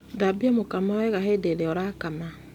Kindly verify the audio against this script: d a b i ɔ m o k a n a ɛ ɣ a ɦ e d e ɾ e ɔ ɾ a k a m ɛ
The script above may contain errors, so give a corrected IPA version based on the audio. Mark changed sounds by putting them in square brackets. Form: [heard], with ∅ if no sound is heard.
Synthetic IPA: d a b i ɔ m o k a [m] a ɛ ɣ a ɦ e d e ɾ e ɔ ɾ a k a m [a]

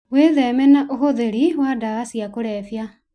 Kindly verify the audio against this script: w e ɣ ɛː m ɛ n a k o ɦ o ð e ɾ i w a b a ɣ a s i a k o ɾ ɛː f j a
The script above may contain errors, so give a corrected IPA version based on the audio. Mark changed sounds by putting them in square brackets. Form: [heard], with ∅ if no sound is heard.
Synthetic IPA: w e [ð] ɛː m ɛ n a [ʔ] o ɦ o ð e ɾ i w a [d] a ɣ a s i a k o ɾ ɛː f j a

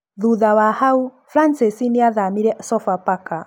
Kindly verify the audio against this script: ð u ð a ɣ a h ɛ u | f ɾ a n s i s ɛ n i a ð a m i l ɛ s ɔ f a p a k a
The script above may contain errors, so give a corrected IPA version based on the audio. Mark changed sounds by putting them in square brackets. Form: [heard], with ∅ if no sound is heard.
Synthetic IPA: ð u ð a [w] a h [a] u | f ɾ a n s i s [i] n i a ð a m i [ɾ] ɛ s ɔ f a p a k a

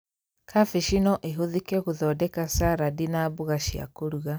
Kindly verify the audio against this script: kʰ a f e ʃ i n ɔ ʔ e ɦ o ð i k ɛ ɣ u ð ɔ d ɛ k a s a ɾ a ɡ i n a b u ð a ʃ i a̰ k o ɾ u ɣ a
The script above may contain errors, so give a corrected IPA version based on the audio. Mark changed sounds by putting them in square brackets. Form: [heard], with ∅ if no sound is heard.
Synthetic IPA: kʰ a f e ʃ i n ɔ ʔ e ɦ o ð i k ɛ ɣ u ð ɔ d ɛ k a s a ɾ a [d] i n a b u [ɣ] a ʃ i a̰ k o ɾ u ɣ a

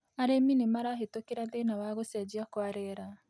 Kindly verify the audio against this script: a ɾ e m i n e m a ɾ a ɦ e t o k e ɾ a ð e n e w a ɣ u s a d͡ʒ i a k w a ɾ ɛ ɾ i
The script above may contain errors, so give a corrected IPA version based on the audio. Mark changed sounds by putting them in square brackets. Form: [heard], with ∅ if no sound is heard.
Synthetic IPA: a ɾ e m i n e m a ɾ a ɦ e t o k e ɾ a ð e n [a] w a ɣ [o] s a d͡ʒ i a k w a ɾ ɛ ɾ [a]

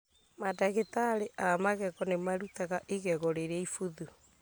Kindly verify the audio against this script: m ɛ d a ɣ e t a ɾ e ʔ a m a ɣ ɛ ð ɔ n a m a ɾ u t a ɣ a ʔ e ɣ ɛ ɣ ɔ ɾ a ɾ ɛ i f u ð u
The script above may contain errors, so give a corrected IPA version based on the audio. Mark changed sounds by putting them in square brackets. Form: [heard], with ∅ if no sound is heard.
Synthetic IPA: m [a] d a ɣ e t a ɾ e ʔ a m a ɣ ɛ [ɣ] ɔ n [e] m a ɾ u t a ɣ a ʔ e ɣ ɛ ɣ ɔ ɾ [e] ɾ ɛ i f u ð u

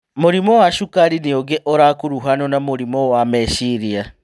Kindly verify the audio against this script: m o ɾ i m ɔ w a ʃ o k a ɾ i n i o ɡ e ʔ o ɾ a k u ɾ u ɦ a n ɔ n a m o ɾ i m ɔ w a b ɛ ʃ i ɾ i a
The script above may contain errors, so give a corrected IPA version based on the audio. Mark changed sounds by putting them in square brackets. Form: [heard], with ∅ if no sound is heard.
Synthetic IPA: m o ɾ i m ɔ w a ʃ [u] k a ɾ i n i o ɡ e ʔ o ɾ a k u ɾ u ɦ a n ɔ n a m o ɾ i m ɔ w a [m] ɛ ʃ i ɾ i a

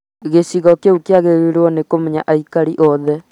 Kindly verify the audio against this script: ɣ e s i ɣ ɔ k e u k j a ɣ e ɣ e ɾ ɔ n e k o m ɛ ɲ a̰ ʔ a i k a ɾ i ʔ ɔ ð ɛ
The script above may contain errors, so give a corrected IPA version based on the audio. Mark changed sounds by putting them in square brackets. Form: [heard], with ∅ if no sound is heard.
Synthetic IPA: ɣ e s i ɣ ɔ k e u k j a ɣ e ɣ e ɾ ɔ n e k o m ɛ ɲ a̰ ʔ a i k a ɾ i ʔ ɔ ð ɛ

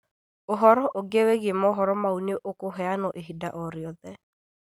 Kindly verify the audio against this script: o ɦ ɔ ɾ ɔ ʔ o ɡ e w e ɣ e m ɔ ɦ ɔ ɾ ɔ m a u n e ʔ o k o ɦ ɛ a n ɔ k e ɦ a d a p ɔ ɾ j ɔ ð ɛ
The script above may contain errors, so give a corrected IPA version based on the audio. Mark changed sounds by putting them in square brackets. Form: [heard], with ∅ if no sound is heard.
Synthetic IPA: o ɦ ɔ ɾ ɔ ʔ o ɡ e w e ɣ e m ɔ ɦ ɔ ɾ ɔ m a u n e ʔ o k o ɦ ɛ a n ɔ [ʔ] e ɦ [i] d a [ʔ] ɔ ɾ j ɔ ð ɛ

